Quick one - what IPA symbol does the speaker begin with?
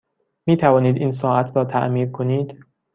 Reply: m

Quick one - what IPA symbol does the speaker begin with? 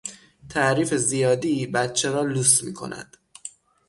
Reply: t̪ʰ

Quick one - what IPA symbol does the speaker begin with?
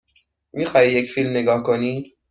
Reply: m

